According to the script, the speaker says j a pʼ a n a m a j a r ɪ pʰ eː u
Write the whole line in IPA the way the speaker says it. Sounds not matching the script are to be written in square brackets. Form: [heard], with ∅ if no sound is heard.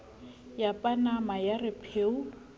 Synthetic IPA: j a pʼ a n a m a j a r ɪ pʰ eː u